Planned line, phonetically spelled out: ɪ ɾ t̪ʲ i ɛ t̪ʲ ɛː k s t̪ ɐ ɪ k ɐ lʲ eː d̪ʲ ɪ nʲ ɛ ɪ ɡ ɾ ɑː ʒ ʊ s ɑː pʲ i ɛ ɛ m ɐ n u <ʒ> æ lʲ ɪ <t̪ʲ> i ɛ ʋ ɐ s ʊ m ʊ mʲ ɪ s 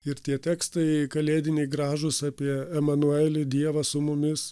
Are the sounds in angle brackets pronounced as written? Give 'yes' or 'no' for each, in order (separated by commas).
no, no